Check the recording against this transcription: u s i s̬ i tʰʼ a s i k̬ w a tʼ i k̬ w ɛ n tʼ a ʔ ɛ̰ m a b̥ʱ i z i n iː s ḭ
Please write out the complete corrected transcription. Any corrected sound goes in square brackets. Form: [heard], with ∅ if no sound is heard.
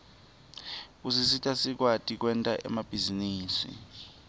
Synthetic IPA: u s i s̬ i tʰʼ a s i k̬ w a tʼ i k̬ w ɛ n tʼ a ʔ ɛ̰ m a b̥ʱ i z i n iː s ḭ